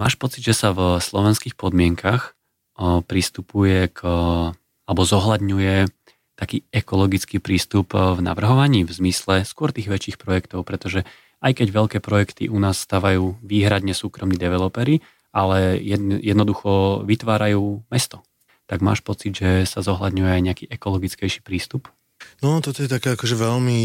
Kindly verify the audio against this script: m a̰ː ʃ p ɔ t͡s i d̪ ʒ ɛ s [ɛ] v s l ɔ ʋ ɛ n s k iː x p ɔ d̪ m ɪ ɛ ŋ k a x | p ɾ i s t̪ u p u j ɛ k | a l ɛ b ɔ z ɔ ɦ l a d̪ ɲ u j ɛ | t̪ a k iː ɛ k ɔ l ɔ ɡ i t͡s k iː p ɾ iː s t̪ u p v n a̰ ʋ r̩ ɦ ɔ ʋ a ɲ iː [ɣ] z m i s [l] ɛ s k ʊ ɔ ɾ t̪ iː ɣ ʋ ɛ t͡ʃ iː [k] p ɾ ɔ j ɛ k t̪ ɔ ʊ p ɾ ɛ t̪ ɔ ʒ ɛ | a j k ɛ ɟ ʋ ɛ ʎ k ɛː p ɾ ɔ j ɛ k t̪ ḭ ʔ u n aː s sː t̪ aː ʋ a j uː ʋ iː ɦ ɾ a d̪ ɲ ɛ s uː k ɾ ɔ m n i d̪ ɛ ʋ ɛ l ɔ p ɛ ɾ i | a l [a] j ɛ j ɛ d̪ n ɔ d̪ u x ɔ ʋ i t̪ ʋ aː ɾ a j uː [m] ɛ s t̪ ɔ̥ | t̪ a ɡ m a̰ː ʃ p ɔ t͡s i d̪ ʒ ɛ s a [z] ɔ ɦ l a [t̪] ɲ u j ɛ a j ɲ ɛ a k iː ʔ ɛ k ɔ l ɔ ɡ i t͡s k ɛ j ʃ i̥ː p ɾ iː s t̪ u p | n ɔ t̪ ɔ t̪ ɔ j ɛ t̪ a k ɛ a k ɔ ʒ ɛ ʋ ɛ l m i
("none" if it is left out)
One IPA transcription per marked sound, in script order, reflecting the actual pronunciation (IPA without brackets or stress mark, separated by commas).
a, v, l, x, ɛ, m, z, d̪